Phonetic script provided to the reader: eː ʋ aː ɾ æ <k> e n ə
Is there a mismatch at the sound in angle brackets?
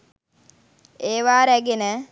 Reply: yes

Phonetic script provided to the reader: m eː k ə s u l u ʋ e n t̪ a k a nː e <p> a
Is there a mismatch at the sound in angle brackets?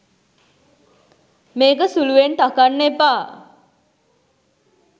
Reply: no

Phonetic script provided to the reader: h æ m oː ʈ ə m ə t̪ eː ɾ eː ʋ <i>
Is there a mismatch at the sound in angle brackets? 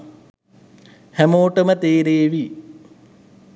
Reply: no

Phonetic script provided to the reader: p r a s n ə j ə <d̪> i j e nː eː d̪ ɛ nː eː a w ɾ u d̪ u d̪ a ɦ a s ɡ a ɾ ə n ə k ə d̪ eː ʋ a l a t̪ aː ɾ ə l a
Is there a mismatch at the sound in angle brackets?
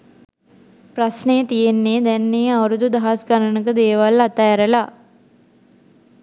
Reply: yes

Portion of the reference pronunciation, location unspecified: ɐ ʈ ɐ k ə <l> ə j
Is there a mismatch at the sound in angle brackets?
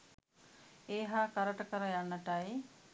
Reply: yes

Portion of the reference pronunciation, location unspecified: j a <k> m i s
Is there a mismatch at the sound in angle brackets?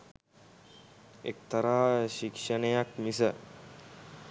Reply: no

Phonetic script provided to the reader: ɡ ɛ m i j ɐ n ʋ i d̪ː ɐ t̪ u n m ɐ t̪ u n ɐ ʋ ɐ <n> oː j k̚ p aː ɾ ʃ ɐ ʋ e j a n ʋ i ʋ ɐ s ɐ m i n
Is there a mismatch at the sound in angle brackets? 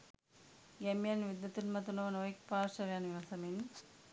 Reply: no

